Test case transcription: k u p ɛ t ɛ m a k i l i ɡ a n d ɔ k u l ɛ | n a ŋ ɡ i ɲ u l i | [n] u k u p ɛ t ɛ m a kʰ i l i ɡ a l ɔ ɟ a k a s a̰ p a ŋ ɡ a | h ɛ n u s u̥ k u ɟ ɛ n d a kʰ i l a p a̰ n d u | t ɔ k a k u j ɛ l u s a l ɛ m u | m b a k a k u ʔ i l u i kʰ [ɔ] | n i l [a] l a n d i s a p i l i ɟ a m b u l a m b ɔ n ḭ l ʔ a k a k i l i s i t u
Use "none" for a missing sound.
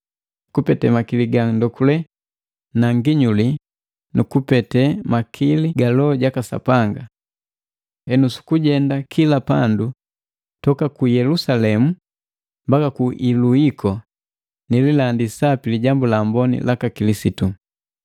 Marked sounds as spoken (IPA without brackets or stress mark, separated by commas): n, ɔ, i